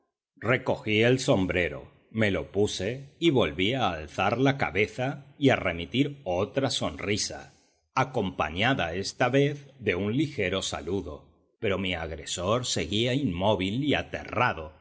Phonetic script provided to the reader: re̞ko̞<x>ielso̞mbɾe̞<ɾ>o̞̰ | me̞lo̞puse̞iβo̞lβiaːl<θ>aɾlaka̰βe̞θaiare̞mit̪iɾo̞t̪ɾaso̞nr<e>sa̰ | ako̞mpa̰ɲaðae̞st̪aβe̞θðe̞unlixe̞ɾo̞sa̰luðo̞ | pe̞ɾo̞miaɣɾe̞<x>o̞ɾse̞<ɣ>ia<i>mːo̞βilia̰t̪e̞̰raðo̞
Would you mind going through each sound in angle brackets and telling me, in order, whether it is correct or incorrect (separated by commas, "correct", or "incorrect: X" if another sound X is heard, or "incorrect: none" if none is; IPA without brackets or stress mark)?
correct, correct, correct, incorrect: i, incorrect: s, correct, correct